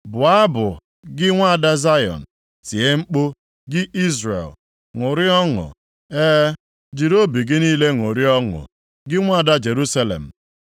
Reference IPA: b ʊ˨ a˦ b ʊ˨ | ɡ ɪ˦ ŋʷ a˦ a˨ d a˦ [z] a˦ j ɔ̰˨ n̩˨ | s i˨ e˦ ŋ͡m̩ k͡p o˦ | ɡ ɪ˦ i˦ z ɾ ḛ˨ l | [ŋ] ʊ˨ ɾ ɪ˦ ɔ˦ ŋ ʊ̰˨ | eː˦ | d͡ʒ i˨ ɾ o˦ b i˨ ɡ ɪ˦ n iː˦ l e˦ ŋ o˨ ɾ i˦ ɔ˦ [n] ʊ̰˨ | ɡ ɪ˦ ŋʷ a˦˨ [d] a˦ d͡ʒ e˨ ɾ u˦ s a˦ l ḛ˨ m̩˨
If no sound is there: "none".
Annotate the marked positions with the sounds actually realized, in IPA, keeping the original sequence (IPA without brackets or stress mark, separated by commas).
z, ŋ, ŋ, d